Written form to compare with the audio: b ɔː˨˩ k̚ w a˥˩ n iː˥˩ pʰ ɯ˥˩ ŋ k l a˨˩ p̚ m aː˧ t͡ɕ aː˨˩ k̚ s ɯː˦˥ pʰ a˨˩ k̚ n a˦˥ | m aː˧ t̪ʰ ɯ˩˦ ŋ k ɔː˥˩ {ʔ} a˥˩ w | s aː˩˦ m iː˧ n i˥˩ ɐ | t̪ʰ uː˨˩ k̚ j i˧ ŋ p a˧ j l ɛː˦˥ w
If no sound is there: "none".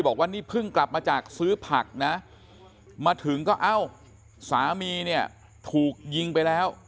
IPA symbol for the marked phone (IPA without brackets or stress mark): ʔ